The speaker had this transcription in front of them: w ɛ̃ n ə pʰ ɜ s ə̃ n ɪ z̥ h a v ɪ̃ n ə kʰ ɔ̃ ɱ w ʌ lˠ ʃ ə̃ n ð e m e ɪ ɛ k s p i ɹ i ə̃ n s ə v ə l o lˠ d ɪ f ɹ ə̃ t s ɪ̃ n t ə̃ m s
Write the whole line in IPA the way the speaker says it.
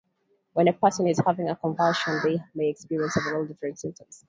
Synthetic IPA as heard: w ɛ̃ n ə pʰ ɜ s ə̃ n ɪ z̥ h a v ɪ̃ ŋ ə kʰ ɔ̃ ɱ v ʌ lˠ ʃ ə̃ n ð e m e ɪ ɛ k s p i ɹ i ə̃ n s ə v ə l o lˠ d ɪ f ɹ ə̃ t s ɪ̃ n t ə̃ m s